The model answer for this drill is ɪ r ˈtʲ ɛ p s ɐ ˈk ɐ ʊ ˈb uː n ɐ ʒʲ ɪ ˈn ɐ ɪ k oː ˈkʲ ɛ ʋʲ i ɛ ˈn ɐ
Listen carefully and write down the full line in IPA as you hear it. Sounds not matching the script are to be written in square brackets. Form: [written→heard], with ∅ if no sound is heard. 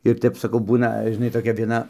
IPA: ɪ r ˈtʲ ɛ p s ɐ ˈk ɐ ʊ ˈb uː n ɐ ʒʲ ɪ ˈn ɐ ɪ [k→t] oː ˈkʲ ɛ ʋʲ i ɛ ˈn ɐ